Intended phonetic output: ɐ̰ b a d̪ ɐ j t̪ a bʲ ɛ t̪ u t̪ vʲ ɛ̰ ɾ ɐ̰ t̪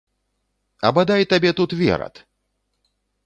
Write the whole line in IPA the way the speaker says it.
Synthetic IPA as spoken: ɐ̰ b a d̪ a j t̪ a bʲ ɛ t̪ u t̪ vʲ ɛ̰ ɾ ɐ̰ t̪